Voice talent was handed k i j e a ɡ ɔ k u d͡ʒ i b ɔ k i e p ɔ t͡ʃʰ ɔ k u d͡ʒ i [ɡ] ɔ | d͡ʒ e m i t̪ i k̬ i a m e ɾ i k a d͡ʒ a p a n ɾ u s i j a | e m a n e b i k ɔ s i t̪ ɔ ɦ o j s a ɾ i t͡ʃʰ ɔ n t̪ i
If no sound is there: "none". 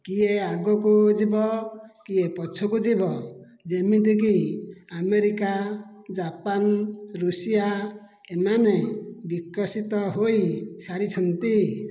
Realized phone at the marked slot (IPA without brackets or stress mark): b